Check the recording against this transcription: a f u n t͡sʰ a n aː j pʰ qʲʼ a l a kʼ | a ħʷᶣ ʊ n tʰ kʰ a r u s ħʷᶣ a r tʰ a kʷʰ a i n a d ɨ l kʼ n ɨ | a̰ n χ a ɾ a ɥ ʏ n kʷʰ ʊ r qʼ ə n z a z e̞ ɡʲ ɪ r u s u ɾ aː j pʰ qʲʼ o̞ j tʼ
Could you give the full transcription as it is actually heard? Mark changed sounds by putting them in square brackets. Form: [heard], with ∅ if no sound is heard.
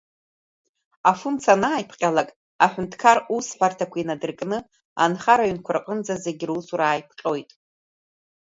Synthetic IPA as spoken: a f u n t͡sʰ a n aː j pʰ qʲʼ a l a kʼ | a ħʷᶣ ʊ n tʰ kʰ a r u s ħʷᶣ a r tʰ a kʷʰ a i n a d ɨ [r] kʼ n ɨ | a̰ n χ a ɾ a ɥ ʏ n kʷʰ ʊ r qʼ ə n [d͡z] a z e̞ ɡʲ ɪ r u s u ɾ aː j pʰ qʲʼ o̞ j tʼ